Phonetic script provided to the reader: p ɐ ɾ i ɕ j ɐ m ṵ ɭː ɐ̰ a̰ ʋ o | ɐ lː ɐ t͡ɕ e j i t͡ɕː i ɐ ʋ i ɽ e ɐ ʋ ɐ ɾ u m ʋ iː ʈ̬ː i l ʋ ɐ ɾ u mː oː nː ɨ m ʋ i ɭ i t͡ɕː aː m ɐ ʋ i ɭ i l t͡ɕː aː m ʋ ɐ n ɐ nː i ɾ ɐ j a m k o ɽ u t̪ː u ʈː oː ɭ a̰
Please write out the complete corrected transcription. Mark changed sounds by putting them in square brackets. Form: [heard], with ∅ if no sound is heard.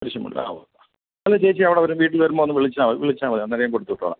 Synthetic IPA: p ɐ ɾ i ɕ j ɐ m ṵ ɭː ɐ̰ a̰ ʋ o | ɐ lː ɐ t͡ɕ e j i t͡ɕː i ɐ ʋ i ɽ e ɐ ʋ ɐ ɾ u m ʋ iː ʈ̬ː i l ʋ ɐ ɾ u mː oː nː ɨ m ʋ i ɭ i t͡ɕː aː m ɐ ʋ i ɭ i [∅] t͡ɕː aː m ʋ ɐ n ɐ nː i ɾ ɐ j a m k o ɽ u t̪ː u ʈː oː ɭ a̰